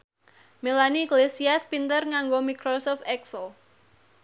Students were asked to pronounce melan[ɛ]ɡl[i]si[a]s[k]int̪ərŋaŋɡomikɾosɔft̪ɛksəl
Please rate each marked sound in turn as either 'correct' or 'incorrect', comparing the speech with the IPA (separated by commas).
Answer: incorrect, incorrect, correct, incorrect